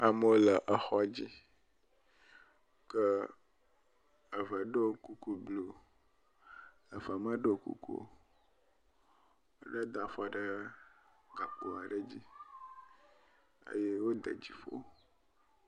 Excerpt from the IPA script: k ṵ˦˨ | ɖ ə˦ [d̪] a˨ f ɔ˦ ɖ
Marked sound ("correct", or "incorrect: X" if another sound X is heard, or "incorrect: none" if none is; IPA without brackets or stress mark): correct